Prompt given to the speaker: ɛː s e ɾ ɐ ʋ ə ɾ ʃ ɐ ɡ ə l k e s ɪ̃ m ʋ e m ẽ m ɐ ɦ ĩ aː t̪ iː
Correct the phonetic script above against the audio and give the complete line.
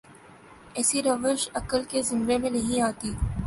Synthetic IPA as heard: ɛː s i ɾ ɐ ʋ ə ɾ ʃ ɐ k ə l k e z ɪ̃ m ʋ e m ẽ n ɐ ɦ ĩ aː t̪ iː